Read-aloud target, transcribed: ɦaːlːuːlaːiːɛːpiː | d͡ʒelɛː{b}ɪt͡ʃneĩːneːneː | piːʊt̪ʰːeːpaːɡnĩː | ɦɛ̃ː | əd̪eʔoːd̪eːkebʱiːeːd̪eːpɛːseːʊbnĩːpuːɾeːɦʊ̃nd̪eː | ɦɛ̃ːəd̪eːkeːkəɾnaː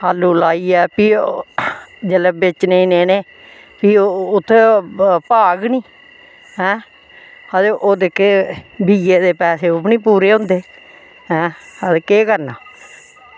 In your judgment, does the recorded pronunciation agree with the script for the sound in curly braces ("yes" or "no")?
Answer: yes